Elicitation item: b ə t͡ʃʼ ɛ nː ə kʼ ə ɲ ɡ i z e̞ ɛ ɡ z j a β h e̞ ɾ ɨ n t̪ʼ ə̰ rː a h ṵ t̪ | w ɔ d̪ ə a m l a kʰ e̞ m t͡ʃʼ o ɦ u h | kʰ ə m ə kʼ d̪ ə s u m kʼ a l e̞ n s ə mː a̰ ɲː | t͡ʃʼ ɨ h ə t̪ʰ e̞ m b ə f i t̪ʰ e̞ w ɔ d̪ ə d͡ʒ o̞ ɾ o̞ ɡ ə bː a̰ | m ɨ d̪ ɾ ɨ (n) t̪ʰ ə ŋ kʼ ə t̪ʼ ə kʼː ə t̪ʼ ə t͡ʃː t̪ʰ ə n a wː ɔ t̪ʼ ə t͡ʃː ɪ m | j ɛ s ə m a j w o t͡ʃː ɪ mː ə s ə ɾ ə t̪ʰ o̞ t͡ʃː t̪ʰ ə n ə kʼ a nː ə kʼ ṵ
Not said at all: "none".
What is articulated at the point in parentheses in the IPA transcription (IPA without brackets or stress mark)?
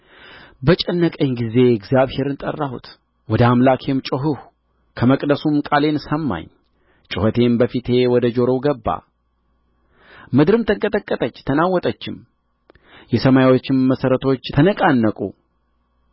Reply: m